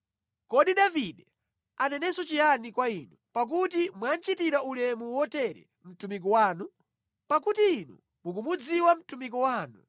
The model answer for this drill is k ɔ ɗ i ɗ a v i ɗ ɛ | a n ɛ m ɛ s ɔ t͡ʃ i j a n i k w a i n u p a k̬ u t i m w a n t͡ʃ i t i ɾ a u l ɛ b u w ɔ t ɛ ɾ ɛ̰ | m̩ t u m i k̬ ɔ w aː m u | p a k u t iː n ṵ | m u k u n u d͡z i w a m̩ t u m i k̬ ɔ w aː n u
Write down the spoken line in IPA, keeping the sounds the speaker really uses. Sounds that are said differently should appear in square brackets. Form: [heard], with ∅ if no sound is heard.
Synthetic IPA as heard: k ɔ ɗ i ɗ a v i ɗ ɛ | a n ɛ [n] ɛ s ɔ t͡ʃ i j a n i k w a i n u p a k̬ u t i m w a n t͡ʃ i t i ɾ a u l ɛ [m] u w ɔ t ɛ ɾ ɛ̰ | m̩ t u m i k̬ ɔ w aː [n] u | p a k u t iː n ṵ | m u k u [m] u d͡z i w a m̩ t u m i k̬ ɔ w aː n u